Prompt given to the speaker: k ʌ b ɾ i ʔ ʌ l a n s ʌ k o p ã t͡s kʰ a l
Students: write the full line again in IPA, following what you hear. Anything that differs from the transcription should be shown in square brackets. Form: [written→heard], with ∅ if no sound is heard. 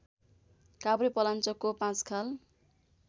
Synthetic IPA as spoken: k [ʌ→a] b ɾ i [ʔ→p] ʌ l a n [s→t͡s] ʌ k o p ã t͡s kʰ a l

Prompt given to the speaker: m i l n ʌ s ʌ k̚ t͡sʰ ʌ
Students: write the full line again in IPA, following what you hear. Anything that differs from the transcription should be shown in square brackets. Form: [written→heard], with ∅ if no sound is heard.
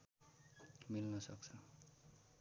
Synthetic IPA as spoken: m i l n ʌ s ʌ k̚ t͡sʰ ʌ

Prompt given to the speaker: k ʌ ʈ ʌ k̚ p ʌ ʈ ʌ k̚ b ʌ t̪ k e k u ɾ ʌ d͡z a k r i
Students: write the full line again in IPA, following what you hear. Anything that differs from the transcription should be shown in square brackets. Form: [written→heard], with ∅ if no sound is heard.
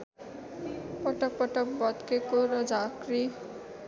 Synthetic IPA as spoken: [k→p] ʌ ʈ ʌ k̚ p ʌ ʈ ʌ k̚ b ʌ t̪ k e k [u→o] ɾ ʌ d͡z a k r i

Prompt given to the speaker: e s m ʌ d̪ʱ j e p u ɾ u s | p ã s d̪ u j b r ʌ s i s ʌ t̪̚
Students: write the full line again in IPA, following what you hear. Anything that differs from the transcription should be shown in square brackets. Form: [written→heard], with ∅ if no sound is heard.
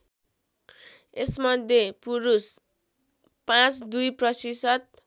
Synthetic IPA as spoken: e s m ʌ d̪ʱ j e p u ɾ u s | p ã [s→t͡s] d̪ u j [b→p] r ʌ s i s ʌ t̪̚

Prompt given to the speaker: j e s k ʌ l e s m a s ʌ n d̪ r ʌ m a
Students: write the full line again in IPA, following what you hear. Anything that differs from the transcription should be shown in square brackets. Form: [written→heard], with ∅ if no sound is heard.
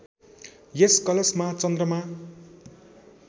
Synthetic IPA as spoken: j e s k ʌ l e s m a [s→t͡s] ʌ n d̪ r ʌ m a

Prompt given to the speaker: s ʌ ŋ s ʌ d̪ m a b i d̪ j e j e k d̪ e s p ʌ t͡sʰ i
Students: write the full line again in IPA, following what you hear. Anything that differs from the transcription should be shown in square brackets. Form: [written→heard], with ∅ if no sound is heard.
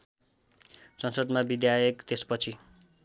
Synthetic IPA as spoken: s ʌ [ŋ→n] s ʌ d̪ m a b i d̪ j [e→a] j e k [d̪→t̪] e s p ʌ t͡sʰ i

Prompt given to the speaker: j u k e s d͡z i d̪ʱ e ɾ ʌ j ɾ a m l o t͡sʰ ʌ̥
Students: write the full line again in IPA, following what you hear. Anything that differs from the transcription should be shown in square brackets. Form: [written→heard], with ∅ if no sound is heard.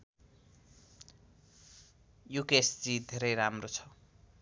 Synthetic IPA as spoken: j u k e s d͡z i d̪ʱ e ɾ ʌ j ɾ a m [l→r] o t͡sʰ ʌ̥

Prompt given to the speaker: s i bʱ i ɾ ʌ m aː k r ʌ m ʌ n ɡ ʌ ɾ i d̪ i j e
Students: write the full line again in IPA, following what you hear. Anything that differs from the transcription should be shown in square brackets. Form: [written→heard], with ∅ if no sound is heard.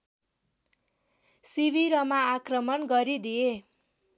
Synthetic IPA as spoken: s i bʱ i ɾ ʌ m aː k r ʌ m ʌ n ɡ ʌ ɾ i d̪ i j e

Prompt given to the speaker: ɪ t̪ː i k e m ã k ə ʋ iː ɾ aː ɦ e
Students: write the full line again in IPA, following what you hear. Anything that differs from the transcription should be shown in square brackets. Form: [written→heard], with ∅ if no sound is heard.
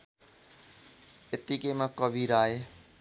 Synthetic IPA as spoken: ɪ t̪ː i k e m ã k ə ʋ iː ɾ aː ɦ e

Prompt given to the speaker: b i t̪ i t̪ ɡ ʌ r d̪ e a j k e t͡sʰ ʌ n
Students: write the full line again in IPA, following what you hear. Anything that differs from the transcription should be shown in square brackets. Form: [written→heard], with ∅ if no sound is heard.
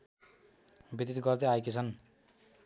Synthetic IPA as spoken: b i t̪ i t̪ ɡ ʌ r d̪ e a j k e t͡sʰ ʌ n

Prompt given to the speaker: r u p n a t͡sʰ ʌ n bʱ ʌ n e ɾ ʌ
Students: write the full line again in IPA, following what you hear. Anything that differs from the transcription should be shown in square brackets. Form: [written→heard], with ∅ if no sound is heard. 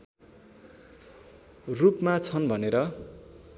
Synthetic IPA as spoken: r u p [n→m] a t͡sʰ ʌ n bʱ ʌ n e ɾ ʌ

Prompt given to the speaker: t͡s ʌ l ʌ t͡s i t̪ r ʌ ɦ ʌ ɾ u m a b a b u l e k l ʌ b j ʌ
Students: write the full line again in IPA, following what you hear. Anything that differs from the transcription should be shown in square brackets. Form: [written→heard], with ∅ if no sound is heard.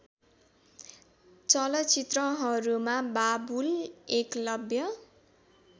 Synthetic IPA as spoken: t͡s ʌ l ʌ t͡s i t̪ r ʌ ɦ ʌ ɾ u m a b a b u l e k l ʌ b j ʌ

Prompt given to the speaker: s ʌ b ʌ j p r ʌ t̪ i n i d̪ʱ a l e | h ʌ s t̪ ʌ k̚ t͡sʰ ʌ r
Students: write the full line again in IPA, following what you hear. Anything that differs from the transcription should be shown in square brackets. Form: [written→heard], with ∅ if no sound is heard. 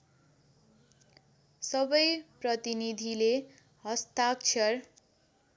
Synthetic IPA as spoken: s ʌ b ʌ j p r ʌ t̪ i n i d̪ʱ [a→i] l e | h ʌ s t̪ [ʌ→a] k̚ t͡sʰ ʌ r

